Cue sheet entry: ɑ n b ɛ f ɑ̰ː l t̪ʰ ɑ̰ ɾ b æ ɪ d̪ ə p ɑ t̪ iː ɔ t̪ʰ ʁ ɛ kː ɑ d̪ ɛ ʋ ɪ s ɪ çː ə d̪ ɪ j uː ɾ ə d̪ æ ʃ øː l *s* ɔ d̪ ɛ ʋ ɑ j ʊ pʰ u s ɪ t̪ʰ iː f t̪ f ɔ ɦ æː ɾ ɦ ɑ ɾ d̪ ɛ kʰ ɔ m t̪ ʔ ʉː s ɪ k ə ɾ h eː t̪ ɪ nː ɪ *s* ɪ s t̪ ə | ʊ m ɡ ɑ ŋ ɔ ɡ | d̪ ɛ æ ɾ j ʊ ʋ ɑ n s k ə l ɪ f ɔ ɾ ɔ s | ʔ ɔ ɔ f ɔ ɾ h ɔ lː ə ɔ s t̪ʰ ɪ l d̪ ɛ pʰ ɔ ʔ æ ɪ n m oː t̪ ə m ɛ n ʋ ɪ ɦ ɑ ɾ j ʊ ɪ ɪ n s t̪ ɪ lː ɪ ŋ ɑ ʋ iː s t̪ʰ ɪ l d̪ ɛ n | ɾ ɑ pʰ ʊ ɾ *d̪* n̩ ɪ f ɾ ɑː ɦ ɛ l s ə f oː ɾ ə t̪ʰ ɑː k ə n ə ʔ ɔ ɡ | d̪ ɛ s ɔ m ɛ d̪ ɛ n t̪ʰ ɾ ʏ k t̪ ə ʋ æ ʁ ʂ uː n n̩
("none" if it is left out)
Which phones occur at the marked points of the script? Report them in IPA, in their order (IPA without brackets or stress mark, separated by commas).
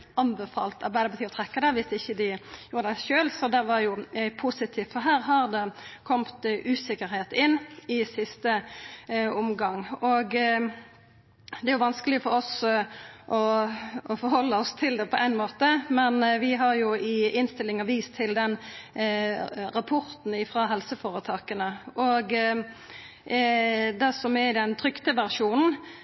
s, s, t̪